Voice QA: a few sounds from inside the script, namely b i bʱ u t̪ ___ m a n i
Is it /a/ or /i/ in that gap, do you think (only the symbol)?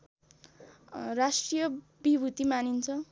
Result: i